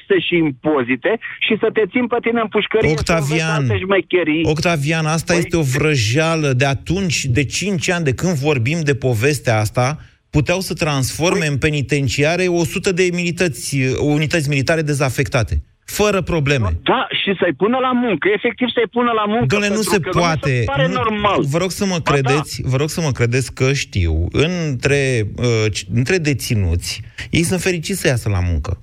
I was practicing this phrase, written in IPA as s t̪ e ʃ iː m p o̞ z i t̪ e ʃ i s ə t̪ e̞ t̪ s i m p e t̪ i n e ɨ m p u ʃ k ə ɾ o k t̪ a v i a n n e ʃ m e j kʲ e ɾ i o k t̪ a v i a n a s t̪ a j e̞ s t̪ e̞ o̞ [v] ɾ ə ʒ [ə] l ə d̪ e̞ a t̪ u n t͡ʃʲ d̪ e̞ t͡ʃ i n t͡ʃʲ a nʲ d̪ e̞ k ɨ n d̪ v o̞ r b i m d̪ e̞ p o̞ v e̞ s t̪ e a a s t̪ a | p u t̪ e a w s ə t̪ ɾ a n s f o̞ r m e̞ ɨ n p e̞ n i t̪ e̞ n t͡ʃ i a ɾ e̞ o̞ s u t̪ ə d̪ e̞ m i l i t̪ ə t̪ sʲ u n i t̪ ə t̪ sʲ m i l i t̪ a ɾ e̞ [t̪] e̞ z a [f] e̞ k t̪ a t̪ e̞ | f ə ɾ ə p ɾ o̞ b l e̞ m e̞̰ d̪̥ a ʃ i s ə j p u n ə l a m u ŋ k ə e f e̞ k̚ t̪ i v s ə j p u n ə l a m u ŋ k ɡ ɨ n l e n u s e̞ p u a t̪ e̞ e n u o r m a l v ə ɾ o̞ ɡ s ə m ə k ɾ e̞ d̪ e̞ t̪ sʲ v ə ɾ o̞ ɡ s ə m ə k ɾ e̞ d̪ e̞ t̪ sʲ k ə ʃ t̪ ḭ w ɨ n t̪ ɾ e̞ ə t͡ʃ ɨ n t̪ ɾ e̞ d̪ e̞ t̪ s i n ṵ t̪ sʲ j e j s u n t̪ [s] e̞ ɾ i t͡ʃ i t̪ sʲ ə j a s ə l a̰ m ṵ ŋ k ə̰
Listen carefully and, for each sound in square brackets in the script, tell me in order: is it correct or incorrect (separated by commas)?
correct, incorrect, incorrect, correct, incorrect